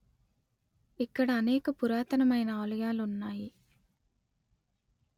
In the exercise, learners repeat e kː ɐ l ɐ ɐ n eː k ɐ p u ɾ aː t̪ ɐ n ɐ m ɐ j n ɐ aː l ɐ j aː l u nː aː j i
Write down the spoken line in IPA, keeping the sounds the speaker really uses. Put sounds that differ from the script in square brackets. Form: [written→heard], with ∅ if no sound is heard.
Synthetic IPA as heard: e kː ɐ [l→ɽ] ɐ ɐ n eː k ɐ p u ɾ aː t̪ ɐ n ɐ m ɐ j n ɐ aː l ɐ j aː l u nː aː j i